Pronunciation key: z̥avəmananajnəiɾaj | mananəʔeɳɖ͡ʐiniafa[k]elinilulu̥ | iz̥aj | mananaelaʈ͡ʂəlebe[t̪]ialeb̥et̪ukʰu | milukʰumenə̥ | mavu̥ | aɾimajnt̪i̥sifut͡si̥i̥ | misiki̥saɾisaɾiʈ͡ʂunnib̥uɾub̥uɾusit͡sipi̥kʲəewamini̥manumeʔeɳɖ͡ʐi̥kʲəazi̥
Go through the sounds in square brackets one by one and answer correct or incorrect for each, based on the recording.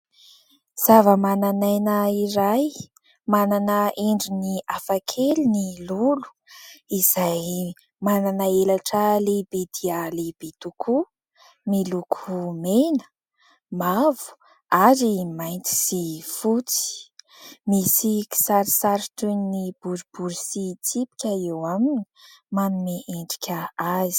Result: incorrect: kʰ, incorrect: d̪

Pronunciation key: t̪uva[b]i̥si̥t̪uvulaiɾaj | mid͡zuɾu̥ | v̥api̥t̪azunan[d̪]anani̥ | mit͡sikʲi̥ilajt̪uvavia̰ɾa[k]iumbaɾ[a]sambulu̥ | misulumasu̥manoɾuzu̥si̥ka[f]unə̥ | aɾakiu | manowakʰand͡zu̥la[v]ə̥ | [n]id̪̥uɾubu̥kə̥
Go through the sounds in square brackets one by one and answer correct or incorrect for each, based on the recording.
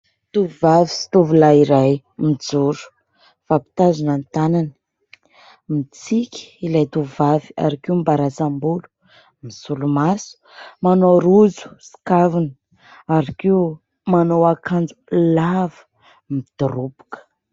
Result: incorrect: v, incorrect: t̪, correct, correct, incorrect: v, correct, incorrect: m

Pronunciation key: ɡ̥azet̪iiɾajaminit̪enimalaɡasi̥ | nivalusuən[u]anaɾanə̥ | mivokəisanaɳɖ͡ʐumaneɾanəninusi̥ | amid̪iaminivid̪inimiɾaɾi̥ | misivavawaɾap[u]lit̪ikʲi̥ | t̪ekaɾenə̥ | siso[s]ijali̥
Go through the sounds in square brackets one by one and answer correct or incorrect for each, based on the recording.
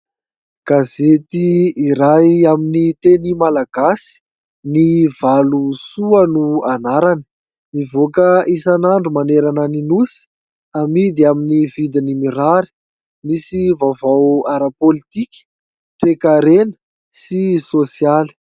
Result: correct, incorrect: o, correct

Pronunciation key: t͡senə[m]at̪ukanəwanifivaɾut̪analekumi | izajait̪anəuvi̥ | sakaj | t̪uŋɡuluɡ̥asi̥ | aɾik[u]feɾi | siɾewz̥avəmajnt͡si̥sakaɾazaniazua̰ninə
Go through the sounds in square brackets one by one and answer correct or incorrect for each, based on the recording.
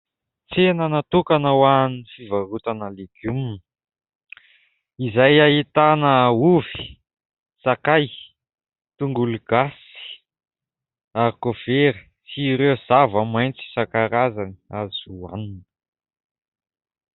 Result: incorrect: n, incorrect: o

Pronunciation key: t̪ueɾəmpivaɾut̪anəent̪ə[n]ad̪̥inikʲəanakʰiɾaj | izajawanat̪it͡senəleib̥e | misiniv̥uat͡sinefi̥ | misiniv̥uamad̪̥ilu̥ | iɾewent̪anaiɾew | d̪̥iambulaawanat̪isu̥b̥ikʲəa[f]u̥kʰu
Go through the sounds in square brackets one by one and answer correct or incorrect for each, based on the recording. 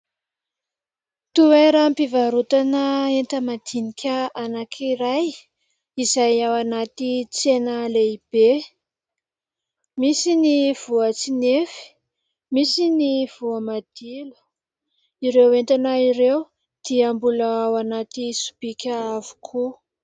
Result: incorrect: m, incorrect: v

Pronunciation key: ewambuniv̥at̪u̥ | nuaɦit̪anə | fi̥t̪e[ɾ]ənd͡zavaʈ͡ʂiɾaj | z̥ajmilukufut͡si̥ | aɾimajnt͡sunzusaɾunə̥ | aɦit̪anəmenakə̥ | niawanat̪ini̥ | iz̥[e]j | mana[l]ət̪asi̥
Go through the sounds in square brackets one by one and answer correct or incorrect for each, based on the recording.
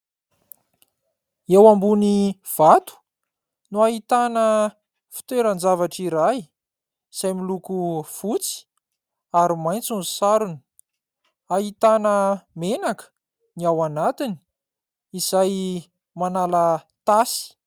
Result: correct, incorrect: a, correct

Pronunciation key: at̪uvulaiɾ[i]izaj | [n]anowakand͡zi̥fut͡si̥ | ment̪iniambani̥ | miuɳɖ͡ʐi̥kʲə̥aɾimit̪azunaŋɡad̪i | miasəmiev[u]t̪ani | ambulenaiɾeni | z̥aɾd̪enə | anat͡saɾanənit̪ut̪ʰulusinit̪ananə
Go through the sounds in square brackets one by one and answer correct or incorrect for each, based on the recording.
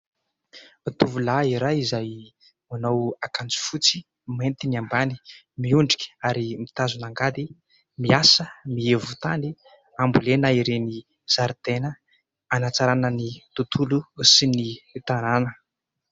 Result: incorrect: a, incorrect: m, correct

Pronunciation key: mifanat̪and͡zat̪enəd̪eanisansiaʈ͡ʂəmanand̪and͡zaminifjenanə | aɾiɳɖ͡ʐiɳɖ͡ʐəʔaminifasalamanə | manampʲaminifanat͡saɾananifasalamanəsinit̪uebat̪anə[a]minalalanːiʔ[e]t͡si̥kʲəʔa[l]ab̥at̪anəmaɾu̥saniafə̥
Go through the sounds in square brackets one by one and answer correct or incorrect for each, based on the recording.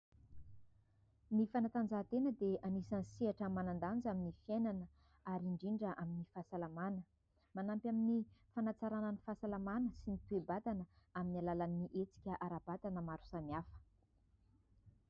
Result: correct, correct, incorrect: ɾ

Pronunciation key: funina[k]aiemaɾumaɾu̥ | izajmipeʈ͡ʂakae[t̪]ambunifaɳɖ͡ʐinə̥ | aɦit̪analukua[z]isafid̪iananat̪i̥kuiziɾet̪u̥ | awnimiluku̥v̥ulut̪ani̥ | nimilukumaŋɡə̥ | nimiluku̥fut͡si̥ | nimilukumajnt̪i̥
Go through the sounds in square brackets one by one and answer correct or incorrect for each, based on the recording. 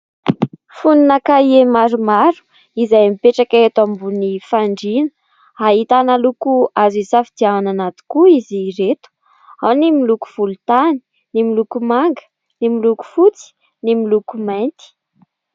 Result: correct, correct, correct

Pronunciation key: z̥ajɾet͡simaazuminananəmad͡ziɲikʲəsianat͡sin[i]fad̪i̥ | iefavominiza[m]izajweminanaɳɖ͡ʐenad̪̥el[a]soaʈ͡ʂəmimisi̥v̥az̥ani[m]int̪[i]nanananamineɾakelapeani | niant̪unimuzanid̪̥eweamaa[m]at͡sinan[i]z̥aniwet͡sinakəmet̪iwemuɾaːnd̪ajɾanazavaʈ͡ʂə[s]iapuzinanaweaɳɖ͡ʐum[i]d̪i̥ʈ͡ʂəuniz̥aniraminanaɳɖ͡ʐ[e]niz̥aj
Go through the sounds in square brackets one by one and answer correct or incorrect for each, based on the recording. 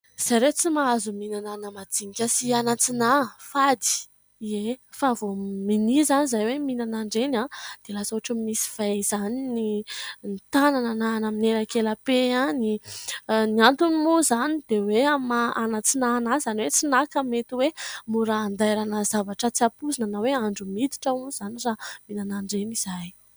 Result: incorrect: a, incorrect: n, correct, incorrect: n, incorrect: a, incorrect: n, incorrect: a, incorrect: t͡s, correct, correct

